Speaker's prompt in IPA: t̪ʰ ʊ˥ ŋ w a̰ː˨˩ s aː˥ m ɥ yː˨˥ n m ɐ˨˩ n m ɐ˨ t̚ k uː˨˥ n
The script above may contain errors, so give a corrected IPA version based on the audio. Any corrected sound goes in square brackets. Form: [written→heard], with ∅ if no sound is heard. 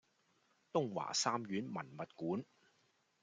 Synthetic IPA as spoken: [t̪ʰ→t̪] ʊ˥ ŋ w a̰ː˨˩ s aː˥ m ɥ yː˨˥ n m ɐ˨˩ n m ɐ˨ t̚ k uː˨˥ n